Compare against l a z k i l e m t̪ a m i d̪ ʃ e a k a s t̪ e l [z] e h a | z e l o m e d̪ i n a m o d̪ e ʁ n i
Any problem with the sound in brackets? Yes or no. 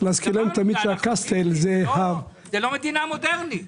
no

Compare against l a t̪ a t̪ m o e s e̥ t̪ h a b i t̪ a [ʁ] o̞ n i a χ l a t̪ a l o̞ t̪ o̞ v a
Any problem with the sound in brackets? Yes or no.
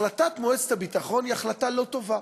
yes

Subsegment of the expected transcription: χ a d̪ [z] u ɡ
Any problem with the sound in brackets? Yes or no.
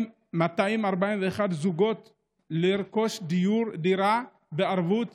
no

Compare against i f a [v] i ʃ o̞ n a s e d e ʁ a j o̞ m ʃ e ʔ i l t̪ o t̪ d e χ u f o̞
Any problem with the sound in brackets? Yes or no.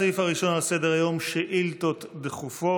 yes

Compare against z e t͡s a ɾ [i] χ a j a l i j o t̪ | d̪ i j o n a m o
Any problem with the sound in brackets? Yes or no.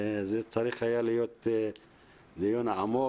no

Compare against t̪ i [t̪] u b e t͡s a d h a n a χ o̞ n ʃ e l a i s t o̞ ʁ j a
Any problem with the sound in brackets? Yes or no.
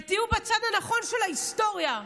yes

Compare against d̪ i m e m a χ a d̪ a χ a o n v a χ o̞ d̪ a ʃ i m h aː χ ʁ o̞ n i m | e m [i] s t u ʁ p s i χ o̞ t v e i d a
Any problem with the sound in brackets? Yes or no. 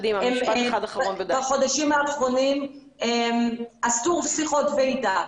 yes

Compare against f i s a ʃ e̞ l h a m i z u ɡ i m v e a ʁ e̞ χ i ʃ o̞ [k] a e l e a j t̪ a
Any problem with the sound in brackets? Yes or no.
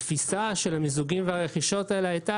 yes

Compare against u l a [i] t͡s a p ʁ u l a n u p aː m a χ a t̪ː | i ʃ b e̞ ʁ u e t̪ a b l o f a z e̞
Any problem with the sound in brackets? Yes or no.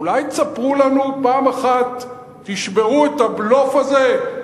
yes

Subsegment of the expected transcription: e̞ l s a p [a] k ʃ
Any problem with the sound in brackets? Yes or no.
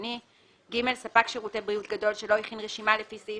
no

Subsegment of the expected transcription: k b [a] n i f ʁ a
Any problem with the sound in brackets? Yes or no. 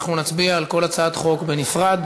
yes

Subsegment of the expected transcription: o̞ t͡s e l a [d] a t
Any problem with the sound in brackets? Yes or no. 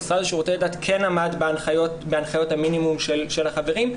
no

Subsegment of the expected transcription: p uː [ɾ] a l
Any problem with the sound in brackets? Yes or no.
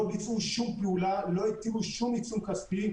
yes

